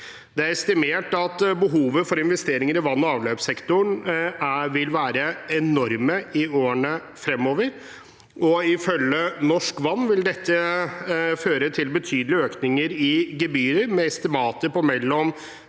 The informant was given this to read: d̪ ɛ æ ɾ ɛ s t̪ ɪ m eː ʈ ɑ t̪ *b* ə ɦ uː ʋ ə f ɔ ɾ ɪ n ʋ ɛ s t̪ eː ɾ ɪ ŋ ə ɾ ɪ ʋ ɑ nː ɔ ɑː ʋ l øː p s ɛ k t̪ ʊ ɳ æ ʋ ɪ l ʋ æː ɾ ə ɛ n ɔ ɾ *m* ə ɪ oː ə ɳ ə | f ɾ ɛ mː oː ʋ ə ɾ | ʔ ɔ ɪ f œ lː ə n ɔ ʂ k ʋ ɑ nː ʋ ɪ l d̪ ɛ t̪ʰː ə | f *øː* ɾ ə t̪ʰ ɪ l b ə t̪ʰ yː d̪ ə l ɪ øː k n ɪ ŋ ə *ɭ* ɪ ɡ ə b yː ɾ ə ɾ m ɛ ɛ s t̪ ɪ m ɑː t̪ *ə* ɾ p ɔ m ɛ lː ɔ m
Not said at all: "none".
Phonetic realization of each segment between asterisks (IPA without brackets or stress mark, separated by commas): b, m, øː, ɾ, ə